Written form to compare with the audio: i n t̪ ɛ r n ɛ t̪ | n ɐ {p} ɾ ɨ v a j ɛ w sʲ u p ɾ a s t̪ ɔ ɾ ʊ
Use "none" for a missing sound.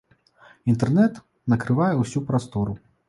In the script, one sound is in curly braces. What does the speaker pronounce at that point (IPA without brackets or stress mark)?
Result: k